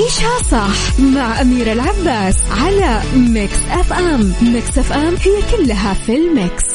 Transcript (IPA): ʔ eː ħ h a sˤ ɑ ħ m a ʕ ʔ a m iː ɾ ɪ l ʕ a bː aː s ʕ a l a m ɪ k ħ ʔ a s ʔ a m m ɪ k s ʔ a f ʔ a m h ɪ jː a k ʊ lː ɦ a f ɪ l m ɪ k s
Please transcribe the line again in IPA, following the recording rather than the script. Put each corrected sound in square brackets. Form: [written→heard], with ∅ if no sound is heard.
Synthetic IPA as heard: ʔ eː [ħ→ʃ] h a sˤ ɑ ħ m a ʕ ʔ a m iː ɾ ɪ l ʕ a bː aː s ʕ a l a m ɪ k [ħ→s] ʔ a [s→f] ʔ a m m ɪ k s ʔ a f ʔ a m h ɪ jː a k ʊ lː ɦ a f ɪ l m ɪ k s